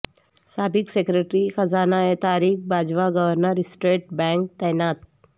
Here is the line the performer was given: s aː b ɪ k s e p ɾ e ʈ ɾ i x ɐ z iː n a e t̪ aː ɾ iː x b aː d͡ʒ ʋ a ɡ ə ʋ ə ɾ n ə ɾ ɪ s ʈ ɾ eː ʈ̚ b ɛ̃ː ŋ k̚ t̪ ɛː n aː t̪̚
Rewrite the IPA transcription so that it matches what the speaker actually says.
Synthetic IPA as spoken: s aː b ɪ k s e k ɾ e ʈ ɾ i x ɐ z aː n a e t̪ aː ɾ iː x b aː d͡ʒ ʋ a ɡ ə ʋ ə ɾ n ə ɾ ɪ s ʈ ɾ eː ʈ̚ b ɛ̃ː ŋ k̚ t̪ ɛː n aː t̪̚

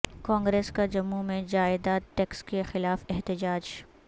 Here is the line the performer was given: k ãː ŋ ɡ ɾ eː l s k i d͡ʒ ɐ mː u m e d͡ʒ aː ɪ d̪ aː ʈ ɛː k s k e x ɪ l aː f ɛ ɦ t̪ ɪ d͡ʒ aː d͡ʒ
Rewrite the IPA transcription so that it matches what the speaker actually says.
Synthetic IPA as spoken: k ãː ŋ ɡ ɾ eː s k a d͡ʒ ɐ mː u m ẽ d͡ʒ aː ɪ d̪ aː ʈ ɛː k s k e x ɪ l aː f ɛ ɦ t̪ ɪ d͡ʒ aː d͡ʒ

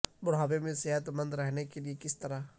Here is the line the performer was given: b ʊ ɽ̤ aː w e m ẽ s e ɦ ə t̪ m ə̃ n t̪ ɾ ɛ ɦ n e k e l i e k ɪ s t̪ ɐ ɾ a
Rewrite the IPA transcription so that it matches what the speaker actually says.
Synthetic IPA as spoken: b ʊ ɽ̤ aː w e m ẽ s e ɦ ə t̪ m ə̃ n d̪ ɾ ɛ ɦ n e k e l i e k ɪ s t̪ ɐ ɾ a

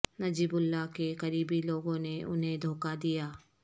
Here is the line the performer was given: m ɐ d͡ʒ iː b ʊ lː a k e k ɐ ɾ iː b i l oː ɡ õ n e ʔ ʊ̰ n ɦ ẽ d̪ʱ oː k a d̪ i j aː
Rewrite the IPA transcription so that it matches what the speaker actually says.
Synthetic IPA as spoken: n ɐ d͡ʒ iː b ʊ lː a k e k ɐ ɾ iː b i l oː ɡ õ n e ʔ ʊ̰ n ɦ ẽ d̪ʱ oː k a d̪ i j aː

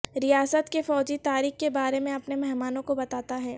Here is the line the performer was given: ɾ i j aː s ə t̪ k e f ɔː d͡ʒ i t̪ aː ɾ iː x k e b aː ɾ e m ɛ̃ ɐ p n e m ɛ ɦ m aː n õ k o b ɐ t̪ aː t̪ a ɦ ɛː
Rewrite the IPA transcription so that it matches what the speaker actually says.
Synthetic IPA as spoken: ɾ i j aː s ə t̪ k e f ɔː d͡ʒ i t̪ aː ɾ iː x k e b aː ɾ e m ẽ ɐ p n e m ɛ ɦ m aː n õ k o b ɐ t̪ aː t̪ a ɦ ɛː

